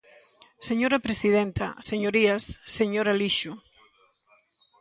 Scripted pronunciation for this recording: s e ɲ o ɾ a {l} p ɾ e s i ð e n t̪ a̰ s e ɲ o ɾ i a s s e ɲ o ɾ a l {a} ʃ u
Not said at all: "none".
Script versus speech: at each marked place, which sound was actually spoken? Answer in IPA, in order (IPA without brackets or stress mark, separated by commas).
none, i